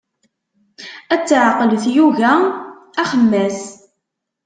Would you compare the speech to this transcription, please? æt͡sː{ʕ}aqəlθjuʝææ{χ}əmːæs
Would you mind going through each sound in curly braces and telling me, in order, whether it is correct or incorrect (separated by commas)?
correct, correct